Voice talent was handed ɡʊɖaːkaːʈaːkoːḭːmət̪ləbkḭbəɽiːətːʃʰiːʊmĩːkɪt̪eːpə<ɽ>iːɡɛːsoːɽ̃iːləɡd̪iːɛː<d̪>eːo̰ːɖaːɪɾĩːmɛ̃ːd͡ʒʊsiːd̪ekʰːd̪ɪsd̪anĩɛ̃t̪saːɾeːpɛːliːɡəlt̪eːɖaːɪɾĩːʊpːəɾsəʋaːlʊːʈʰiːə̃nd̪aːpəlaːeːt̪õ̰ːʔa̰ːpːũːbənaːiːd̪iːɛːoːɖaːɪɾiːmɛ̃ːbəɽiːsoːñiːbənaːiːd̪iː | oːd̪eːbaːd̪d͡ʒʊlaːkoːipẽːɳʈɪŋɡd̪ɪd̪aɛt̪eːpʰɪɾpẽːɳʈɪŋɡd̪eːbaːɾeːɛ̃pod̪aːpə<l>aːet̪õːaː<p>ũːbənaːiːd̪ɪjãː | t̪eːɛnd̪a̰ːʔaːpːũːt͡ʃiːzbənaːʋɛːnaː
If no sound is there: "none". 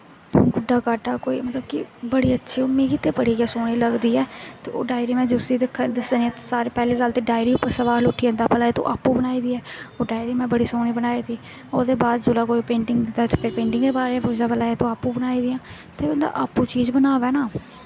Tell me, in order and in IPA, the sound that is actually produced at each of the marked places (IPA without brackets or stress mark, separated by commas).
ɽ, t̪, l, p